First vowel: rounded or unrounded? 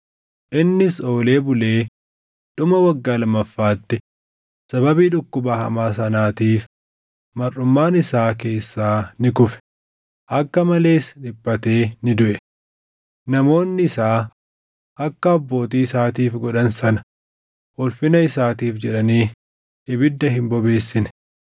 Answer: unrounded